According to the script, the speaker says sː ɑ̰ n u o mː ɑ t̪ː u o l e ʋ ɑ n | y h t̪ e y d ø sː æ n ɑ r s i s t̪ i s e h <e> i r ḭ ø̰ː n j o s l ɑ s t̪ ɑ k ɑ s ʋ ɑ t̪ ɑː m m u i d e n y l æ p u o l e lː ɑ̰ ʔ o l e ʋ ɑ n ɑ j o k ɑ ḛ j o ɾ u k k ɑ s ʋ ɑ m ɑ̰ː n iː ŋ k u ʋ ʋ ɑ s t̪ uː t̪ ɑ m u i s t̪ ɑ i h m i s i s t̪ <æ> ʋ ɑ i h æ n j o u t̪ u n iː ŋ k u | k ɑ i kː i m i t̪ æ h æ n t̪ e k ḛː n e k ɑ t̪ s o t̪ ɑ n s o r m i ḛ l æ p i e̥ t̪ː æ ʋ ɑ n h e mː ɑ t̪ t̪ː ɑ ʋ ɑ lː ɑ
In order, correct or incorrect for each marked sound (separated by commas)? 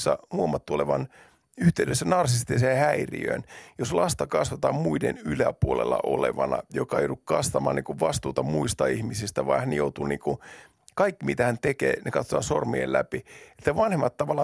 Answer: incorrect, correct